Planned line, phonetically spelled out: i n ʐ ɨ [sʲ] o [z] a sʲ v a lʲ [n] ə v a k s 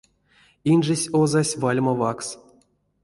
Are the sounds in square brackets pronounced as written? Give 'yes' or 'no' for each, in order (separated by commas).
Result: yes, yes, no